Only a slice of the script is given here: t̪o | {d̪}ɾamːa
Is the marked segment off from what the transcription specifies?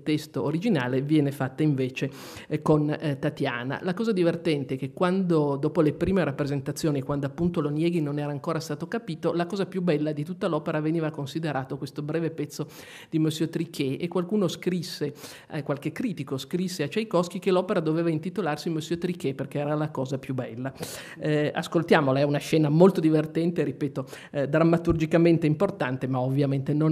no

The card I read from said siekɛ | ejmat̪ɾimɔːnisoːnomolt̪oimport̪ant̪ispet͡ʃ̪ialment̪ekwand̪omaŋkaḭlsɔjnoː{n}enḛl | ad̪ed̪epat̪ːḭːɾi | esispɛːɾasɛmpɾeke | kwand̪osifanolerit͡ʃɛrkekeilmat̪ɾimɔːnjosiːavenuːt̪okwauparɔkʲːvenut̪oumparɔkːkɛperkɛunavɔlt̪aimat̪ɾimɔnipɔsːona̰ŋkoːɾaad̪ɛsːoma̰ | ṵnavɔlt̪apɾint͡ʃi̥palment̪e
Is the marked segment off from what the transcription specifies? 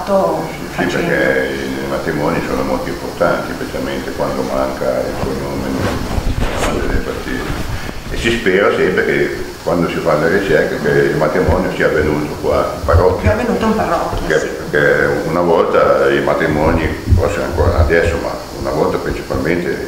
yes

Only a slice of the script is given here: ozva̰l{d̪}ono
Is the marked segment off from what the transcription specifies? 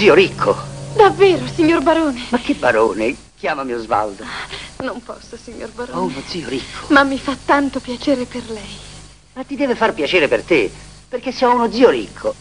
no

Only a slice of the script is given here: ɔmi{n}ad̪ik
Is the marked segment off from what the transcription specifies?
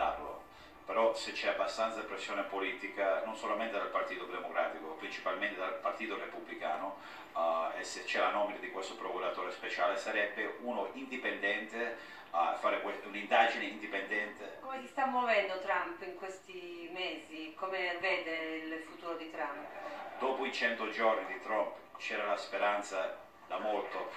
no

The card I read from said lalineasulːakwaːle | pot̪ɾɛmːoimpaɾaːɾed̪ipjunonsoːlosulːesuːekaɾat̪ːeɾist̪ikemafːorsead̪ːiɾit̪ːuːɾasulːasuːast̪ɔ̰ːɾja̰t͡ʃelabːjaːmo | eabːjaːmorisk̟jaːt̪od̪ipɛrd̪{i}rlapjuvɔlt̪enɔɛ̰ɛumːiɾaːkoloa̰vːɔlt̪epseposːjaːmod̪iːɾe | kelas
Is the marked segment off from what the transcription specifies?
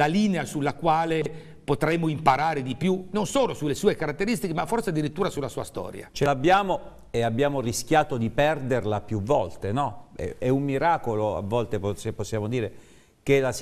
yes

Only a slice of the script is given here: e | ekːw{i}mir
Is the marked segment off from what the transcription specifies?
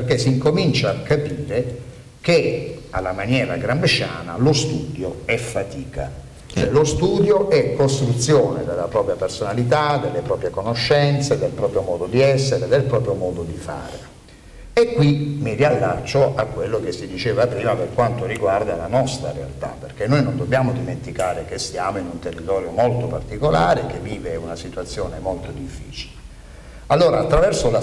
no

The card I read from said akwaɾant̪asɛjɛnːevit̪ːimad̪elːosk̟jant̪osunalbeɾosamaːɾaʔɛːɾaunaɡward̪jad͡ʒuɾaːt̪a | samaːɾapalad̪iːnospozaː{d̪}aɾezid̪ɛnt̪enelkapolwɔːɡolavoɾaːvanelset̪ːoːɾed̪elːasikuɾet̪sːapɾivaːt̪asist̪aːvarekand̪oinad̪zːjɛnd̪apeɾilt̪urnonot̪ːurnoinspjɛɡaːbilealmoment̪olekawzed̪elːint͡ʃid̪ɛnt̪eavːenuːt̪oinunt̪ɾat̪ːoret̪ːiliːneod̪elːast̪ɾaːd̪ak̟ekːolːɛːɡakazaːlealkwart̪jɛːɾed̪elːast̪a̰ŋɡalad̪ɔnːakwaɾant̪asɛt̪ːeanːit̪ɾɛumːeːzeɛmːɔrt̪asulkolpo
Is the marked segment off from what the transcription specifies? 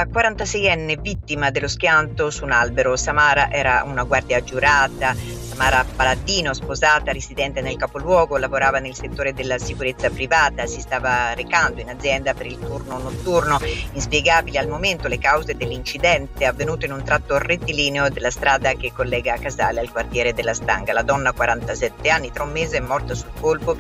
yes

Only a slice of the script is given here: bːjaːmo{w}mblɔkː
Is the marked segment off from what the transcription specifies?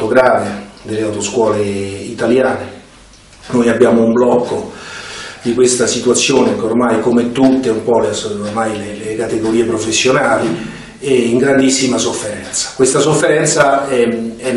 yes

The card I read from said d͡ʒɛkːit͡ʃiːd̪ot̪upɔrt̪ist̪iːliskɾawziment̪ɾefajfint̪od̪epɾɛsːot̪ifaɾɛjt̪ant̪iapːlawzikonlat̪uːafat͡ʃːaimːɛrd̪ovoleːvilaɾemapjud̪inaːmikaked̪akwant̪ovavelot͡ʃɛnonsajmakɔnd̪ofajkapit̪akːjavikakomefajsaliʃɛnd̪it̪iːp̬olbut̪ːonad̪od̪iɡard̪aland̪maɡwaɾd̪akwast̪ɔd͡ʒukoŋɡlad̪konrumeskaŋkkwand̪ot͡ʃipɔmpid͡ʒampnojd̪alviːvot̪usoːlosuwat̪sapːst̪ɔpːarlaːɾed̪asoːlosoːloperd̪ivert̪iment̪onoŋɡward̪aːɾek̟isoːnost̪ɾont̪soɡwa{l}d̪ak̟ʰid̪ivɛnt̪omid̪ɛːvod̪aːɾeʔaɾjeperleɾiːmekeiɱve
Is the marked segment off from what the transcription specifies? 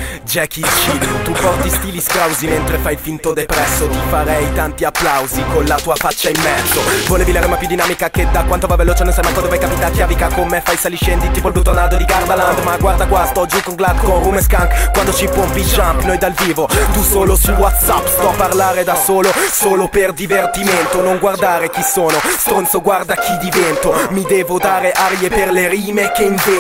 yes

